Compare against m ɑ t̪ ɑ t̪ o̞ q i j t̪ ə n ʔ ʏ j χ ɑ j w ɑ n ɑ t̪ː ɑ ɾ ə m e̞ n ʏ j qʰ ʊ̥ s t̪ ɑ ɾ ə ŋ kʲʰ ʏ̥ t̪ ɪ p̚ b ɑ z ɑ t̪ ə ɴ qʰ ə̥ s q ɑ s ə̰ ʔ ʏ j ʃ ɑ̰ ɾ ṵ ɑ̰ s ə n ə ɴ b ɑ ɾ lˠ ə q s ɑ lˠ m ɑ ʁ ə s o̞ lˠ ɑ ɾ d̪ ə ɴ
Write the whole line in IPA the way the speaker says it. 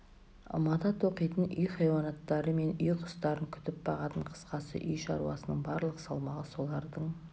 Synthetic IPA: m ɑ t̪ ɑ t̪ o̞ q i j t̪ ə n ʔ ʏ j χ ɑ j w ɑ n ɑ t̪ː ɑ ɾ ə m e̞ n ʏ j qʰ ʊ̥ s t̪ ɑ ɾ ə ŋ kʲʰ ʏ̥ t̪ ɪ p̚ b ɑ ʁ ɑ t̪ ə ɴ qʰ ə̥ s q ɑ s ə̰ ʔ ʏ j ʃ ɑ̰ ɾ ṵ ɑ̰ s ə n ə ɴ b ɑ ɾ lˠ ə q s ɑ lˠ m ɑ ʁ ə s o̞ lˠ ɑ ɾ d̪ ə ɴ